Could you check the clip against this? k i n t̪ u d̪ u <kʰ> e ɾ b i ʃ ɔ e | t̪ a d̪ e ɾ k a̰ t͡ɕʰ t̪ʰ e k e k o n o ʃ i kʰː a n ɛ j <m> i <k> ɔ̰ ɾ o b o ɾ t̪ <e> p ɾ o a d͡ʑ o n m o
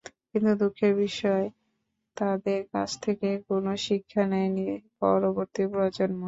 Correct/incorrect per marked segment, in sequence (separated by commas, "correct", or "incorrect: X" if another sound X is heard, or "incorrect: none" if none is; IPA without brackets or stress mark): correct, incorrect: n, incorrect: p, incorrect: i